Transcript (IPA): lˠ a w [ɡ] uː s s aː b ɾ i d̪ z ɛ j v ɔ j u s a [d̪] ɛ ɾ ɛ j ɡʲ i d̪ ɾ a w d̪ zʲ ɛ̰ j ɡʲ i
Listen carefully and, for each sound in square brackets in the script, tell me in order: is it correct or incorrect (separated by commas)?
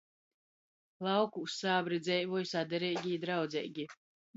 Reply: incorrect, correct